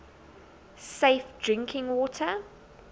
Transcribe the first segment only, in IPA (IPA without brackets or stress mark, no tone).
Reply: s